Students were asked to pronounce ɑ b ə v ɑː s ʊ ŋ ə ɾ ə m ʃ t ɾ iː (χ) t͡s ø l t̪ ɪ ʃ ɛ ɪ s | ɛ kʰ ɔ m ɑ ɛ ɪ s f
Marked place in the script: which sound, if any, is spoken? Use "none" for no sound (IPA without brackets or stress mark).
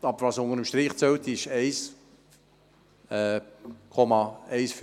χ